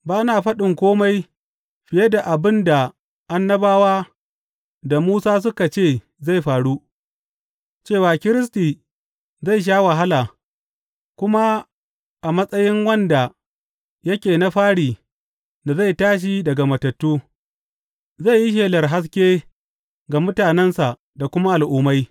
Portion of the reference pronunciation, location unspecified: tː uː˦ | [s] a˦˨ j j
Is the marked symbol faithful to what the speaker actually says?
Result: no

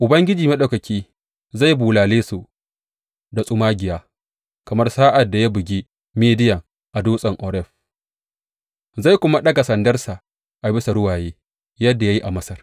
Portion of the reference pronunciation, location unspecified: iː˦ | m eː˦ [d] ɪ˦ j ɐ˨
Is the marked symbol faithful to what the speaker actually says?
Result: yes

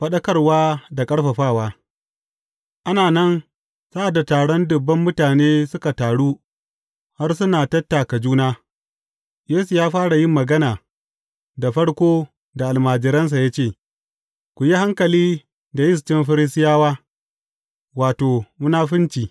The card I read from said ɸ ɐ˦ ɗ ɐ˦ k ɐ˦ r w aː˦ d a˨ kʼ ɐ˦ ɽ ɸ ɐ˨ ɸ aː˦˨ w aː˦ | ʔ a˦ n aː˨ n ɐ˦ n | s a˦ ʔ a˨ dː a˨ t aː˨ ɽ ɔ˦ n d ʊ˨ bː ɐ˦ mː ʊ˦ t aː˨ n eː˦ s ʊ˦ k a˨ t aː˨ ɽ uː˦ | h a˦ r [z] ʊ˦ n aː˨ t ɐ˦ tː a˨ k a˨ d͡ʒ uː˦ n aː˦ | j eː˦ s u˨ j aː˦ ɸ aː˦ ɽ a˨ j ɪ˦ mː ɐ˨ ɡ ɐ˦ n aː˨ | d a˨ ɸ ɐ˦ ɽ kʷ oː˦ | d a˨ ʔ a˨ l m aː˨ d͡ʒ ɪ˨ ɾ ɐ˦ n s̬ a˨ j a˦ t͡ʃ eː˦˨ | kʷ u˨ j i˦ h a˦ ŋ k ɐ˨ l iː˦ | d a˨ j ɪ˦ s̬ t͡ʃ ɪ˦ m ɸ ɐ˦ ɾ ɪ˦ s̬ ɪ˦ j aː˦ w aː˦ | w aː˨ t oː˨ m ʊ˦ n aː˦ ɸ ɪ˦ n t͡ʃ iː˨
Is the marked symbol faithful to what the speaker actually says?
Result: no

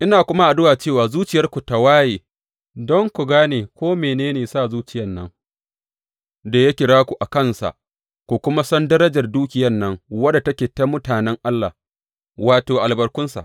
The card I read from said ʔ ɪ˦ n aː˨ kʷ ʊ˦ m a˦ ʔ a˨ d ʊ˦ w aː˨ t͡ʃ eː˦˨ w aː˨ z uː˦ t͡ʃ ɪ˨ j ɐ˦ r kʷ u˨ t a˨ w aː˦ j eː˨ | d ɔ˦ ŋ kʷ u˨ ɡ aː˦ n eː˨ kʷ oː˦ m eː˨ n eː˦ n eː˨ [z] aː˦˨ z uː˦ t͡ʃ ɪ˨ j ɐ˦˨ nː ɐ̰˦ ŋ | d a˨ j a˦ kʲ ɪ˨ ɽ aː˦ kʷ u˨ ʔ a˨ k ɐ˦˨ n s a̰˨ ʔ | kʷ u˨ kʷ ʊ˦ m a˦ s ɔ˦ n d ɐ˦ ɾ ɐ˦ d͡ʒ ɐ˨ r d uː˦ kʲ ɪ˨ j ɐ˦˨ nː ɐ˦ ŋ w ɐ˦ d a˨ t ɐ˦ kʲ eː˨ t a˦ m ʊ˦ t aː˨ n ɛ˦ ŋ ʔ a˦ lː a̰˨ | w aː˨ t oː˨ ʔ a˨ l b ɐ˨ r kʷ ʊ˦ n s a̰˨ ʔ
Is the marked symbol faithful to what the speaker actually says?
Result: no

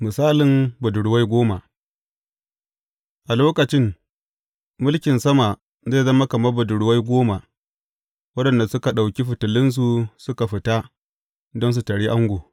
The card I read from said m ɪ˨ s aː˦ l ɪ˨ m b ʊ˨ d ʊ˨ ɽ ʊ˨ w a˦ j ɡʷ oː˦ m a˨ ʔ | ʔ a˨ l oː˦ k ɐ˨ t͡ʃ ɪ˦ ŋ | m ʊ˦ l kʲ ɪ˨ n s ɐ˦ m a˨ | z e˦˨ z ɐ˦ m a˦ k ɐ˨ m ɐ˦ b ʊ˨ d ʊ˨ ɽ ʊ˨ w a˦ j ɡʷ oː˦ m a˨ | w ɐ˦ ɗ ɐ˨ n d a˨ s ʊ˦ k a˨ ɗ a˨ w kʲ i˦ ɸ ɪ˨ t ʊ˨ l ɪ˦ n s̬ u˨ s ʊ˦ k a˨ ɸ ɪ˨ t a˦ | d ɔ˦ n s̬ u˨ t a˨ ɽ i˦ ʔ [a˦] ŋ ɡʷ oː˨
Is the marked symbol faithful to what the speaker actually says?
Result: yes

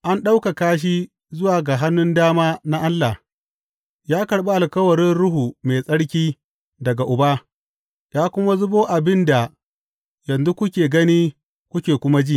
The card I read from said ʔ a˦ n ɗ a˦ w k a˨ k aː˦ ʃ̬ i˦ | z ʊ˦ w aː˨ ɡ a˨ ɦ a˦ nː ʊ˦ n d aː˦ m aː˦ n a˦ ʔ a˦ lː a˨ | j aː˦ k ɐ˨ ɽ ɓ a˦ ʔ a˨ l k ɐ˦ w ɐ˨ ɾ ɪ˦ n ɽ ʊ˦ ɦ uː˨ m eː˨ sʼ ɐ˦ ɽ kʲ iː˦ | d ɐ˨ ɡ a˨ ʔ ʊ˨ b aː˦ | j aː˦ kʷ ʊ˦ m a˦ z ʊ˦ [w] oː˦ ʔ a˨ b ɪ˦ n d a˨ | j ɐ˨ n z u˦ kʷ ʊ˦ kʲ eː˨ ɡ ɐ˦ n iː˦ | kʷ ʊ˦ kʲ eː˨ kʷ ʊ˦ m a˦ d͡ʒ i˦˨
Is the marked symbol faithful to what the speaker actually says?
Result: no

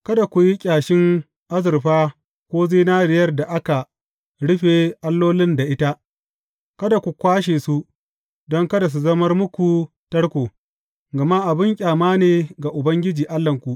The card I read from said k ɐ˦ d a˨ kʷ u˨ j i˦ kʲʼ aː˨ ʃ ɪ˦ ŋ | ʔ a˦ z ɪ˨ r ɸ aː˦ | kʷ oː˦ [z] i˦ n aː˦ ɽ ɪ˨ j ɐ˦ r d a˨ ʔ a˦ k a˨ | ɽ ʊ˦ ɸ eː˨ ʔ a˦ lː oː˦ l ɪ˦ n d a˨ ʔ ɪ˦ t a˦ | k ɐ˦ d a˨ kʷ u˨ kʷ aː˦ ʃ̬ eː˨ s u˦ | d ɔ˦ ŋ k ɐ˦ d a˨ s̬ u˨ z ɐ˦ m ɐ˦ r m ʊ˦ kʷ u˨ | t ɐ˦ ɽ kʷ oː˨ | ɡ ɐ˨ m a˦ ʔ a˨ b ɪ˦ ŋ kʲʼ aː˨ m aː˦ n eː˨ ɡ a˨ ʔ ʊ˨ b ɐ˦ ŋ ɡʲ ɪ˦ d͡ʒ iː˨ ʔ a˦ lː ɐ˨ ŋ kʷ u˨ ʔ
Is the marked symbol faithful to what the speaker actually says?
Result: yes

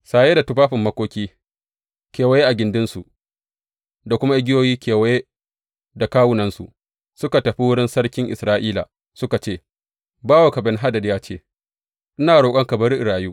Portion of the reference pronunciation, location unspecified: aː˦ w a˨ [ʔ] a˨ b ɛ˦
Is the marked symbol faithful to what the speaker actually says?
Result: no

